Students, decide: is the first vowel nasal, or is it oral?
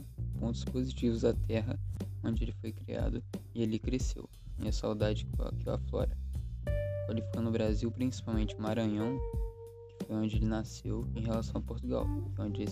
nasal